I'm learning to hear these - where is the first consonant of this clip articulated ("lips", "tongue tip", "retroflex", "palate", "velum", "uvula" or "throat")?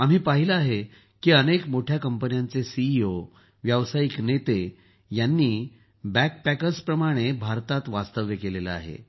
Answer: lips